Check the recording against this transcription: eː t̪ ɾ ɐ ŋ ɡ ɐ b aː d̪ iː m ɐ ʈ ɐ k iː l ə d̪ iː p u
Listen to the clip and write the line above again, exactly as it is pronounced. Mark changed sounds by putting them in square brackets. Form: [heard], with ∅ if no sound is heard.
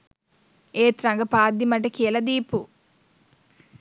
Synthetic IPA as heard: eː t̪ ɾ ɐ ŋ ɡ ɐ [p] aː d̪ [i] m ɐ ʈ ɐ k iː l [ɐ] d̪ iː p u